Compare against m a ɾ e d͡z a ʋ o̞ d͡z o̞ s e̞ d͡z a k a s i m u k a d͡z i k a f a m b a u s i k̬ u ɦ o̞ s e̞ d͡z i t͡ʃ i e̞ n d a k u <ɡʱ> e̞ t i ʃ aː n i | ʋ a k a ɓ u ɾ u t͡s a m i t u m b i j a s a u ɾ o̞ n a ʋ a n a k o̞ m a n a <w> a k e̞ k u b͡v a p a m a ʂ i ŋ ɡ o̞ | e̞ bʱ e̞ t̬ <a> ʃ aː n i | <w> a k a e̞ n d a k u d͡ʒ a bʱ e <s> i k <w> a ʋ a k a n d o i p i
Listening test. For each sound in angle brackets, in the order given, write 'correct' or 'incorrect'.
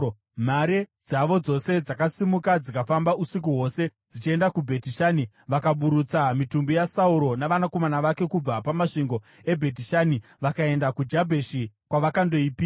incorrect, incorrect, incorrect, incorrect, incorrect, correct

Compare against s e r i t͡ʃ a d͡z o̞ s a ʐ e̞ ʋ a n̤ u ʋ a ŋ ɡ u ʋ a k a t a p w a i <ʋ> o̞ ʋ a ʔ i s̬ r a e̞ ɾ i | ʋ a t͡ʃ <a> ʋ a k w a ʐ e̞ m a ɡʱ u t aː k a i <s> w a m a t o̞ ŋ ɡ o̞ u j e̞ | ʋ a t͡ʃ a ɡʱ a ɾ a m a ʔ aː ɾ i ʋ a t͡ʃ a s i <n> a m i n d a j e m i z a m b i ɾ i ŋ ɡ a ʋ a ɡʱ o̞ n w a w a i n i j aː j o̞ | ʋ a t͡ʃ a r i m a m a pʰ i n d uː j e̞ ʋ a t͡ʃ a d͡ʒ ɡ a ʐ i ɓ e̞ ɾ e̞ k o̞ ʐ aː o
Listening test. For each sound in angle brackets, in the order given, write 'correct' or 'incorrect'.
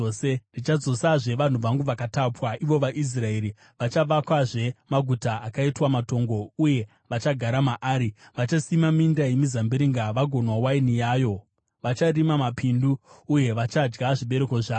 correct, correct, incorrect, incorrect

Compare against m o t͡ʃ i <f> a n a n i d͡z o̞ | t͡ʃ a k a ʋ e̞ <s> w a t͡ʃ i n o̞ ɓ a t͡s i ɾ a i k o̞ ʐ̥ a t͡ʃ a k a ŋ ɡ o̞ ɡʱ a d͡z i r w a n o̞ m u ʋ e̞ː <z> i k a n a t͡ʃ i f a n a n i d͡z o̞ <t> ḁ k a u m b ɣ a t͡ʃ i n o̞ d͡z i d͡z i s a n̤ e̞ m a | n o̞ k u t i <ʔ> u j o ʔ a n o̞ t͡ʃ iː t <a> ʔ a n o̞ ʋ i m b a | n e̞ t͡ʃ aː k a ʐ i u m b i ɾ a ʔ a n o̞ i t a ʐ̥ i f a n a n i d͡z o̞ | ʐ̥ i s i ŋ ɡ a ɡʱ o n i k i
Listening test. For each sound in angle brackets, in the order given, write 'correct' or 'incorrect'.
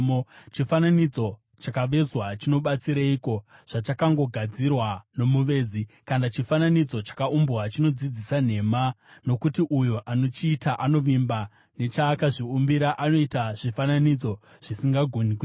correct, incorrect, correct, incorrect, correct, correct

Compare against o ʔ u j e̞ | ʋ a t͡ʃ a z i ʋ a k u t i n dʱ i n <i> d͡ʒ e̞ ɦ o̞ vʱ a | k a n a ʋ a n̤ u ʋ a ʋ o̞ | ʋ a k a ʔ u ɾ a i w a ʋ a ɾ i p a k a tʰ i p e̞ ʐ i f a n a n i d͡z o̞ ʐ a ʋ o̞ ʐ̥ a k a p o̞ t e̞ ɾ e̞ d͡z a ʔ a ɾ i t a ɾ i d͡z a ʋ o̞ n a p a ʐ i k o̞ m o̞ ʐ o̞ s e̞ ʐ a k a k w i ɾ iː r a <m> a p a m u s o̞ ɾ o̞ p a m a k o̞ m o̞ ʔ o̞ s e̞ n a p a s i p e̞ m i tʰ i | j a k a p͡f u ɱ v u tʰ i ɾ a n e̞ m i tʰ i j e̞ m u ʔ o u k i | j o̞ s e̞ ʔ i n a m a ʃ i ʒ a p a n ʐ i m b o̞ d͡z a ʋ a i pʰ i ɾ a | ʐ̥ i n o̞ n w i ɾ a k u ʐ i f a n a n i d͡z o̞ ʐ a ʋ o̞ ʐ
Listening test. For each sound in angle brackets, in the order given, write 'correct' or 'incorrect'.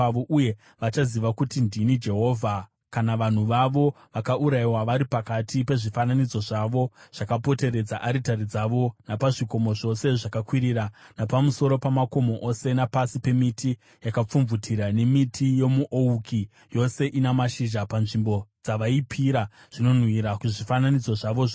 correct, incorrect

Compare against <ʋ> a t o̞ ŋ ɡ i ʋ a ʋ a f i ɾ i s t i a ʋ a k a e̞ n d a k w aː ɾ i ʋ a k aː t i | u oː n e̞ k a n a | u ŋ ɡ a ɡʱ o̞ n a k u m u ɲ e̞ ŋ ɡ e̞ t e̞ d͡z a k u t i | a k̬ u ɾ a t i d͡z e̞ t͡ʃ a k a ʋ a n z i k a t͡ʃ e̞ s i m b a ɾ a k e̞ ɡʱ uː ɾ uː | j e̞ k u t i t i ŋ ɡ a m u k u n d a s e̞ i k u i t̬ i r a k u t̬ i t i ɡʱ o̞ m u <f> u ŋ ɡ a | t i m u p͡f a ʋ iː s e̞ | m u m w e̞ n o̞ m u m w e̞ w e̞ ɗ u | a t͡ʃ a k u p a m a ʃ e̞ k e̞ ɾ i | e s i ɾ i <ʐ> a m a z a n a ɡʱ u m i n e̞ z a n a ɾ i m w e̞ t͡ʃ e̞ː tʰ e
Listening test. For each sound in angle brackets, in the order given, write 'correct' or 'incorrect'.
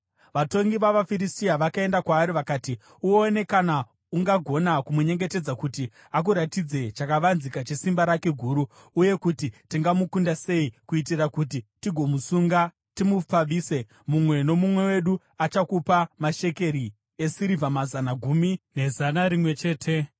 correct, incorrect, incorrect

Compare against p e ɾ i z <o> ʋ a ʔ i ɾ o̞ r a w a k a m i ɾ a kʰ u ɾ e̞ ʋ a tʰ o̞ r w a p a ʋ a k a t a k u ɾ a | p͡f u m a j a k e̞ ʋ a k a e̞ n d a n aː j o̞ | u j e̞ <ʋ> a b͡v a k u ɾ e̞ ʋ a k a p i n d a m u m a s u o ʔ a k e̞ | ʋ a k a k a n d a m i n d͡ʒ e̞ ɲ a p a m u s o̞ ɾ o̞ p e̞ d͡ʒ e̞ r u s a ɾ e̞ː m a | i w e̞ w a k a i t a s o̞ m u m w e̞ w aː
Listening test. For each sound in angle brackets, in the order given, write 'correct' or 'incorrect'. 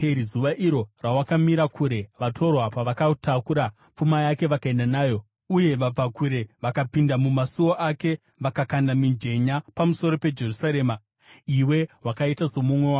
incorrect, correct

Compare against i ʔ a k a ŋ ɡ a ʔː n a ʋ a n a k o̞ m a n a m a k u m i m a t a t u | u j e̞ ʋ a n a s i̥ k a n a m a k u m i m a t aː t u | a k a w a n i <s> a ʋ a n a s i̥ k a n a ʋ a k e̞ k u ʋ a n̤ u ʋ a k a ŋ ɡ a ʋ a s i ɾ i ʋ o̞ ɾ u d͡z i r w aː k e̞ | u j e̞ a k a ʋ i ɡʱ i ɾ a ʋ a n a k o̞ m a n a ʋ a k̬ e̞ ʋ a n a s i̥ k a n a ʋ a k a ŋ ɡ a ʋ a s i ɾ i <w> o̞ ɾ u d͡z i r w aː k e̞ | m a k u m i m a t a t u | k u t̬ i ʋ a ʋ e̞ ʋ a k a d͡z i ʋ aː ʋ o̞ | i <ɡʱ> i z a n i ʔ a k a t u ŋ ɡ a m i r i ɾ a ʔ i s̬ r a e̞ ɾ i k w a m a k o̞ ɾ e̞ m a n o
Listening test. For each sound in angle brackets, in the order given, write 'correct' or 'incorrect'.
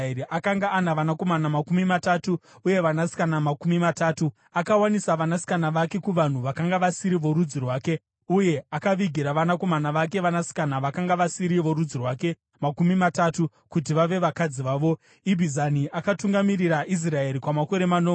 correct, incorrect, incorrect

